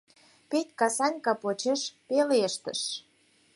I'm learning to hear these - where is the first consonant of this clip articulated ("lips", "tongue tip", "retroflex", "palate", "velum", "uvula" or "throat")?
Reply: lips